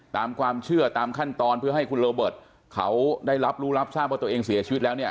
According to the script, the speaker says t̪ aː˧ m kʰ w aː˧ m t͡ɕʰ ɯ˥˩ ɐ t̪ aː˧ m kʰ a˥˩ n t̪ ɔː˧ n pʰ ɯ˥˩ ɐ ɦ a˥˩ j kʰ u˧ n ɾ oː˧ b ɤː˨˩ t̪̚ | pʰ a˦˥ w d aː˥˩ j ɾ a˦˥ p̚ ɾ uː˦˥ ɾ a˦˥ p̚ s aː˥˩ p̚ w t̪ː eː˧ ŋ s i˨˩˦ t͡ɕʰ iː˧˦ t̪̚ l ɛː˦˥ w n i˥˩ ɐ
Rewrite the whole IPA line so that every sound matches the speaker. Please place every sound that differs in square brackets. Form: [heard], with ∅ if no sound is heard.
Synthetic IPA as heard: t̪ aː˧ m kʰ w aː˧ m t͡ɕʰ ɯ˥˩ ɐ t̪ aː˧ m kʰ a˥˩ n t̪ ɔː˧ n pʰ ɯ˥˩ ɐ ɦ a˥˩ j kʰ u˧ n ɾ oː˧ b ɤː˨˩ t̪̚ | [kʰ] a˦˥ w d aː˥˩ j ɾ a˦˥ p̚ ɾ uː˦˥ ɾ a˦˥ p̚ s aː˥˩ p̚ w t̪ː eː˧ ŋ s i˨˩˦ t͡ɕʰ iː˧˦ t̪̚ l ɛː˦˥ w n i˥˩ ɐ